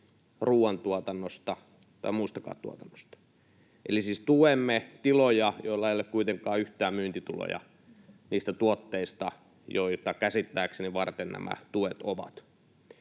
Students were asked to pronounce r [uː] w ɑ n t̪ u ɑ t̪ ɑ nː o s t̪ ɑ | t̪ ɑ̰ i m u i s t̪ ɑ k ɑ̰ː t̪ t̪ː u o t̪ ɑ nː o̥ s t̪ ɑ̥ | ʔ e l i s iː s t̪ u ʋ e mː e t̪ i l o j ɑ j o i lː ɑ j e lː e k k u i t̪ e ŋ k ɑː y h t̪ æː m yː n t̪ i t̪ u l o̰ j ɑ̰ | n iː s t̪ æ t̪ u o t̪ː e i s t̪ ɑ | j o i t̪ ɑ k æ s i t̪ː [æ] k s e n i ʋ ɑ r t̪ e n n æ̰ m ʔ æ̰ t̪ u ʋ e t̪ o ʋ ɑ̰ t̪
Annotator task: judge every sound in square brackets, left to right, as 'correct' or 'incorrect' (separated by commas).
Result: correct, incorrect